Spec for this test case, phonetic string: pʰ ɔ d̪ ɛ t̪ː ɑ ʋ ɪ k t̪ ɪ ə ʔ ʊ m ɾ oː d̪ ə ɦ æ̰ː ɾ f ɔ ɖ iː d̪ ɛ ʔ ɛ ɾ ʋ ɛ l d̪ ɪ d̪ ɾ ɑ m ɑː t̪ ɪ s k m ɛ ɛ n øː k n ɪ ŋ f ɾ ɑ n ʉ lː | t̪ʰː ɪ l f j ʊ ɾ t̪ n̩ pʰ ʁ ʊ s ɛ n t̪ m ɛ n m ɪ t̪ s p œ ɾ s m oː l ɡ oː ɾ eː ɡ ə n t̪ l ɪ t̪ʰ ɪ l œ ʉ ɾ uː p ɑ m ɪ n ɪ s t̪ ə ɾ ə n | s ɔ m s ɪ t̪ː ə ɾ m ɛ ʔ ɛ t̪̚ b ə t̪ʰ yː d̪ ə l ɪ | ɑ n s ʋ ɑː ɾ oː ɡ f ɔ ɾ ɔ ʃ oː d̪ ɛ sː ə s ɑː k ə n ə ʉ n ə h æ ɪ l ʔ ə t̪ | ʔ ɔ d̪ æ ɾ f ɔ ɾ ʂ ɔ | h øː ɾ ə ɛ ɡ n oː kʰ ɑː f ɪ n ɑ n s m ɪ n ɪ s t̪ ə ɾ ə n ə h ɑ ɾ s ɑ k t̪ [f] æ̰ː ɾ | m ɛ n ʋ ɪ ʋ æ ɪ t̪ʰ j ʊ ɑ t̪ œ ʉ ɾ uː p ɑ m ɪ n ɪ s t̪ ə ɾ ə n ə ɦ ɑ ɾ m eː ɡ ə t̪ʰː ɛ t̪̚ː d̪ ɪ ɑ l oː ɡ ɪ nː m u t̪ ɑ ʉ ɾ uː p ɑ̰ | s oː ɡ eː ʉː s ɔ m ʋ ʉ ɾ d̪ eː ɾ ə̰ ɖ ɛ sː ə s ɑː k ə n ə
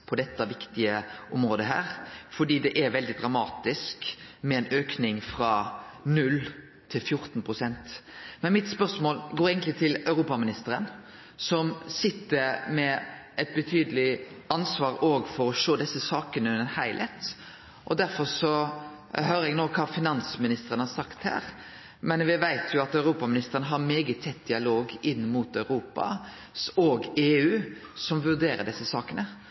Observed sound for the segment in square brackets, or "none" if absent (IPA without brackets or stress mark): h